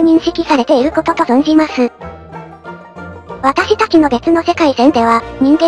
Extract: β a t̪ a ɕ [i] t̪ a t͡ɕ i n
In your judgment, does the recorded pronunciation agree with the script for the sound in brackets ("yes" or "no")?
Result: yes